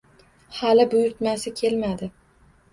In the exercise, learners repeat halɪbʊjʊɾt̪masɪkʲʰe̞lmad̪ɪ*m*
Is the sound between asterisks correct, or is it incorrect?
incorrect